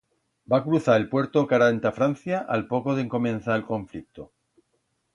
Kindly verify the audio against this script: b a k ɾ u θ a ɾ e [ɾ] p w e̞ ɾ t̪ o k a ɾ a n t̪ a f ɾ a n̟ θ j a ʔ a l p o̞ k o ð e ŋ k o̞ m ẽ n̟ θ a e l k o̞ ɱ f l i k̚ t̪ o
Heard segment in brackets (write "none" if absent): l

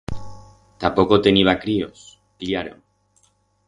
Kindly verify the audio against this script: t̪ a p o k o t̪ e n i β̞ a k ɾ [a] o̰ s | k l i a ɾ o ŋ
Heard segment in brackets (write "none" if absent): i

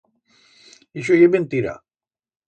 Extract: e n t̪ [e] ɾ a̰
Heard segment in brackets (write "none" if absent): i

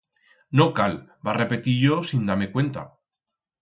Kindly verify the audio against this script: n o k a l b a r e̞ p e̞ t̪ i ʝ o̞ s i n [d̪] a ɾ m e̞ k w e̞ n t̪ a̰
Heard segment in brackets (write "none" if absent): d̪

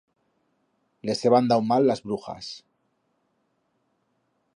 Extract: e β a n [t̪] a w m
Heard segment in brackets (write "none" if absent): d̪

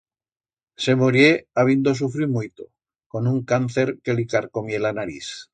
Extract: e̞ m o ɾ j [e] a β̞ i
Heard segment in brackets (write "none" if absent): e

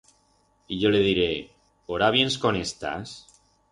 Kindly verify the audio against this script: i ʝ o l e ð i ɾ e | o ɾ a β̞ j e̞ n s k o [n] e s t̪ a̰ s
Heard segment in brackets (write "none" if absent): n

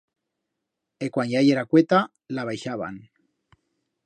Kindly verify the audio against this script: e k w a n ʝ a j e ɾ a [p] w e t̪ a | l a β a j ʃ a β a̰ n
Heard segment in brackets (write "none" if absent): k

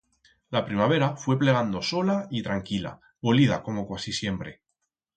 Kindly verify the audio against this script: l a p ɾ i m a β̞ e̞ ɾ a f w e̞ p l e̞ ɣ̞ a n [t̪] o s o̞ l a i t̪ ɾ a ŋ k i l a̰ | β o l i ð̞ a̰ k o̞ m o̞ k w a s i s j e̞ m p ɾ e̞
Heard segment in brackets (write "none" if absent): d̪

